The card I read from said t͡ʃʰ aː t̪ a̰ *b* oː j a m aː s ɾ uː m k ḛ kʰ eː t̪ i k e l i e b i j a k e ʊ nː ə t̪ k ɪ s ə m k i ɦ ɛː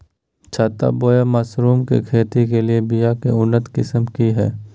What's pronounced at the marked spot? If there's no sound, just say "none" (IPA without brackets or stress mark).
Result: b